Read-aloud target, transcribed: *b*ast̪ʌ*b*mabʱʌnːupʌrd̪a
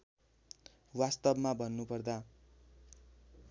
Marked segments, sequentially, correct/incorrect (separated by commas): incorrect, correct